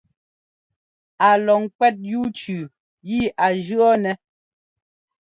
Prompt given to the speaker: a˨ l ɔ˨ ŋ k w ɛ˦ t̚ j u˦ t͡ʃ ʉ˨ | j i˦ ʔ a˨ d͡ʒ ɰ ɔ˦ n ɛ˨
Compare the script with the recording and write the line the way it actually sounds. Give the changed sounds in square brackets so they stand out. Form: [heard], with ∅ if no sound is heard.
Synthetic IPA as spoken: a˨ l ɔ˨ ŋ k w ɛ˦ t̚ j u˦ t͡ʃ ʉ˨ | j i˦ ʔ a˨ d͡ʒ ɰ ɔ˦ n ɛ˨